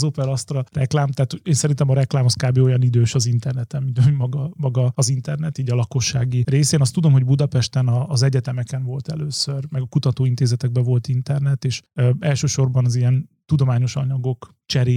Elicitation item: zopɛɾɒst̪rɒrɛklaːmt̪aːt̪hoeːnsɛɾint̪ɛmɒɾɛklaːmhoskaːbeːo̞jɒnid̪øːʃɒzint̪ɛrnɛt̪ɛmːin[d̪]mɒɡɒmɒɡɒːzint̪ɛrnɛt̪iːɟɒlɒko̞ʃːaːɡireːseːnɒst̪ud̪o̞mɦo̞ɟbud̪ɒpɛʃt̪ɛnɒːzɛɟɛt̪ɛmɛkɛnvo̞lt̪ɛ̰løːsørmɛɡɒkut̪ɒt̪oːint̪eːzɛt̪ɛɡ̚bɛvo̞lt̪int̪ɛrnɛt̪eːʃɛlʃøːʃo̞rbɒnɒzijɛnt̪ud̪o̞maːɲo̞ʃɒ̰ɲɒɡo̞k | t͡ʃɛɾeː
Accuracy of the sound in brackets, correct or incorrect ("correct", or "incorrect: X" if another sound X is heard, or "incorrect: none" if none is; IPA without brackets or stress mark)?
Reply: incorrect: t̪